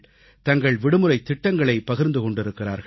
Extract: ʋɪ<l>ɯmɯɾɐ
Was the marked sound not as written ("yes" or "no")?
yes